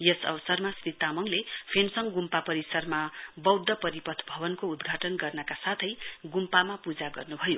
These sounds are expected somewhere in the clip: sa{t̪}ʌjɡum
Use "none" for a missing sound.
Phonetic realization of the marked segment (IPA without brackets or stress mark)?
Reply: t̪ʰ